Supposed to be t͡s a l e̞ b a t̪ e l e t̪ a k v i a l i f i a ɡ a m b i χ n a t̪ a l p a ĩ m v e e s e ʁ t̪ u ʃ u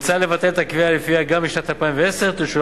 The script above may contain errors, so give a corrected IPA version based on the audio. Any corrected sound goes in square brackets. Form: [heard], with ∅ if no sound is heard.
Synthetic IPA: t͡s a l e̞ [v] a t̪ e l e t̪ a k v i a l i f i a ɡ a m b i [ʃ] n a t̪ a l p a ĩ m v e e s e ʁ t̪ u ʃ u